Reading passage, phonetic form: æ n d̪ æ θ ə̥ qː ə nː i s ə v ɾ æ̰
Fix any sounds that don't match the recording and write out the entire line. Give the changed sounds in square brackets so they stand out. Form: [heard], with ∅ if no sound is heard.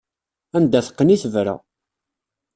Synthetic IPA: æ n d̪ æ θ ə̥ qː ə [n] i [θ] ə v ɾ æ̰